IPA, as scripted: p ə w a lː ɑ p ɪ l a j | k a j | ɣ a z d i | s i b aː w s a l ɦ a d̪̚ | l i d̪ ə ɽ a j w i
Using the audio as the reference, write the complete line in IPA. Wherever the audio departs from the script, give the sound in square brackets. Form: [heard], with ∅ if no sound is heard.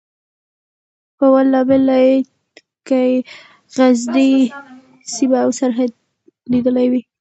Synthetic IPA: p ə w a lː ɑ [b] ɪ l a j | k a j | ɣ a z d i | s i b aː w s a [ɾ] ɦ a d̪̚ | l i d̪ ə [l] a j w i